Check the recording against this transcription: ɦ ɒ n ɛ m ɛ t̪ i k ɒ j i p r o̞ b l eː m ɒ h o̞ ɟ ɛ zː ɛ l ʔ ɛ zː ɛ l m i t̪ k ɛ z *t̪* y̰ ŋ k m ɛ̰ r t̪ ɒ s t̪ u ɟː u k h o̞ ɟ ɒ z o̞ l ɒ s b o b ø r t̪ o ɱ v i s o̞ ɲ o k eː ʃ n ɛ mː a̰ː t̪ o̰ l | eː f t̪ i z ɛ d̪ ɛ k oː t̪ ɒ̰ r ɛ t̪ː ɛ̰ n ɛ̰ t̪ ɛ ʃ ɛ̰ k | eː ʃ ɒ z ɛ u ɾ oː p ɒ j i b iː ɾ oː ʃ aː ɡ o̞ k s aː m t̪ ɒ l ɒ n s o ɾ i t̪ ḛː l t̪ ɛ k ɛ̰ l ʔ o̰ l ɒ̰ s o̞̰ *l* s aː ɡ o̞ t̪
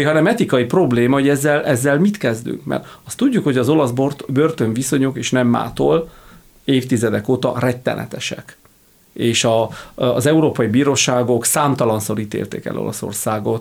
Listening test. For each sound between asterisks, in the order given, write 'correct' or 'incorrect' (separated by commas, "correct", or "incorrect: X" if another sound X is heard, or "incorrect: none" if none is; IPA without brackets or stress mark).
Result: incorrect: d̪, incorrect: r